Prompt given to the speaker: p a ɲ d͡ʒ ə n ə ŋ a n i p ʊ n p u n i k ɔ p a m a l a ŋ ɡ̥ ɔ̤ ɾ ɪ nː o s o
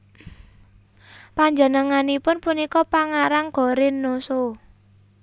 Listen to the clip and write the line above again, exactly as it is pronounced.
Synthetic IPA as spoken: p a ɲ d͡ʒ ə n ə ŋ a n i p ʊ n p u n i k ɔ p a ŋ a ɾ a ŋ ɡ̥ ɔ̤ ɾ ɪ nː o s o

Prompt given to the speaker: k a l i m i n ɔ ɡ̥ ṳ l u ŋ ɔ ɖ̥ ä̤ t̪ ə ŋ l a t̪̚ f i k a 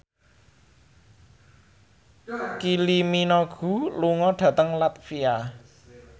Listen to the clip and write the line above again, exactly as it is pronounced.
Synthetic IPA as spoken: k i l i m i n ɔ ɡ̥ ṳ l u ŋ ɔ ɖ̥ ä̤ t̪ ə ŋ l a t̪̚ f i a

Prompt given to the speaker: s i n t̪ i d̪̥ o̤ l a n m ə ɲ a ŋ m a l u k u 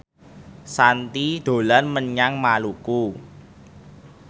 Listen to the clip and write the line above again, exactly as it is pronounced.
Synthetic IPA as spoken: s a n t̪ i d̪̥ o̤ l a n m ə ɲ a ŋ m a l u k u

